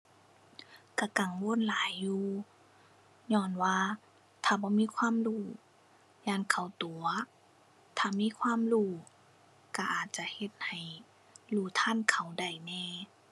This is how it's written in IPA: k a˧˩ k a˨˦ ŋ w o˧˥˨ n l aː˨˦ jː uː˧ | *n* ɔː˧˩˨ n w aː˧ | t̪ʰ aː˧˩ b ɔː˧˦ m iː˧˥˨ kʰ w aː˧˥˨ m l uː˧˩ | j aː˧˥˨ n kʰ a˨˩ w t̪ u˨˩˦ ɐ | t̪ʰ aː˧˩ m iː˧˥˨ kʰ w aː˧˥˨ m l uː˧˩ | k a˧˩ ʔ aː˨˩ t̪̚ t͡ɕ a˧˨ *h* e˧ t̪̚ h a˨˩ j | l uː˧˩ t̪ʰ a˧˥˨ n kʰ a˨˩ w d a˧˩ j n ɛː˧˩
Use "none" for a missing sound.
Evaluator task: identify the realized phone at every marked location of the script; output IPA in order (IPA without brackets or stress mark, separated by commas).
ɲ, h